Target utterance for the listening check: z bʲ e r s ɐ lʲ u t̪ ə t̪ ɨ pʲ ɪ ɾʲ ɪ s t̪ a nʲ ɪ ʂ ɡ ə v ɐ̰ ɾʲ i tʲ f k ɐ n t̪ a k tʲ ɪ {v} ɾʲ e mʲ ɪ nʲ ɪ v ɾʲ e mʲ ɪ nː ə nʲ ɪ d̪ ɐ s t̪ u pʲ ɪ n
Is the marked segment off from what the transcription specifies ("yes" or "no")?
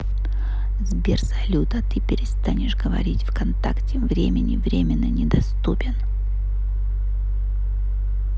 no